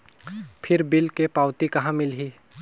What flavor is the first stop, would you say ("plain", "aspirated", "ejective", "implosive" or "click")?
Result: aspirated